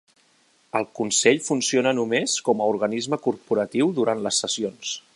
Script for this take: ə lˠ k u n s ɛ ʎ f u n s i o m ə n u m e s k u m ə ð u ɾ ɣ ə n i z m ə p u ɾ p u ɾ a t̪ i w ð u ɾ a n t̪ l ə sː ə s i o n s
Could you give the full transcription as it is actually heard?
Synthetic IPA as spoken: ə lˠ k u n s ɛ ʎ f u n s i o n ə n u m e s k ɔ m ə u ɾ ɣ ə n i z m ə k u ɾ p u ɾ ə t̪ i w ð u ɾ a n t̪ l ə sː ə s i o n s